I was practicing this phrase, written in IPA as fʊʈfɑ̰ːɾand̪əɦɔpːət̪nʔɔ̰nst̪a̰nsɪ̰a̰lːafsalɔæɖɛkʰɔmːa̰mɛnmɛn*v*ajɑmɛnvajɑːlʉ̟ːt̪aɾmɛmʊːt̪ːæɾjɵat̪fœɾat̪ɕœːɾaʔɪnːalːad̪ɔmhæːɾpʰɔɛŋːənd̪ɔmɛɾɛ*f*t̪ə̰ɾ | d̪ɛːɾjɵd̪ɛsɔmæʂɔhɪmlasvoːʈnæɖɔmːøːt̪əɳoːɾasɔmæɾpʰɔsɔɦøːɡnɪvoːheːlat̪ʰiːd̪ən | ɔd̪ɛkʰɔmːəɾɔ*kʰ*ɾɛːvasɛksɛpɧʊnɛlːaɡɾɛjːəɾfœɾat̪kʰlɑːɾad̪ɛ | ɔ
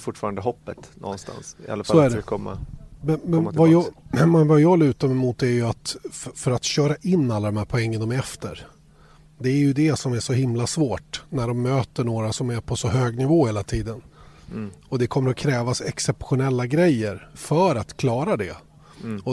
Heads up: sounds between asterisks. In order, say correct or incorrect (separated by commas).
correct, correct, correct